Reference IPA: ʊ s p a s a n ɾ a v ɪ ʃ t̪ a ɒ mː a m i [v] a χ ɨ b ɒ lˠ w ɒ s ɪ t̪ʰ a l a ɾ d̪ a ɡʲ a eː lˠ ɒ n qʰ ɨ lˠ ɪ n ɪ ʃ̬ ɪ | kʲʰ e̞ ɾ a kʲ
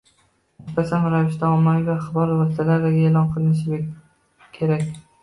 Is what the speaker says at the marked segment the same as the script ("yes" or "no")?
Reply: yes